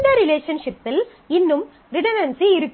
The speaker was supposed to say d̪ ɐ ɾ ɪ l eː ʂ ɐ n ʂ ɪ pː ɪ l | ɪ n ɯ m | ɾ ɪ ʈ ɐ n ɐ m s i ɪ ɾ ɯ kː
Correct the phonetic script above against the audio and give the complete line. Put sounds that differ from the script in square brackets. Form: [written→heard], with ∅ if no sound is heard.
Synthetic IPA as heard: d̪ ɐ ɾ ɪ l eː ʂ ɐ n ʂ ɪ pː ɪ l | ɪ [n→nː] ɯ m | ɾ ɪ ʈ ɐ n ɐ [m→n] s i ɪ ɾ ɯ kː